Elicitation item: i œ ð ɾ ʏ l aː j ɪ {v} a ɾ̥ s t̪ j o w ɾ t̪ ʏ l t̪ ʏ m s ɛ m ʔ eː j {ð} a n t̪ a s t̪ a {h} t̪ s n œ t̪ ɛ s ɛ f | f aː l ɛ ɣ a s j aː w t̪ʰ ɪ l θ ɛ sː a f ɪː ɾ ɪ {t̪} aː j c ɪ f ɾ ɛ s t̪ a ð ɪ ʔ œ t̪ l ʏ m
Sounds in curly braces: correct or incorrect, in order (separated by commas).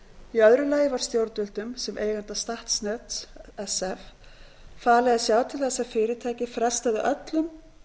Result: correct, incorrect, correct, incorrect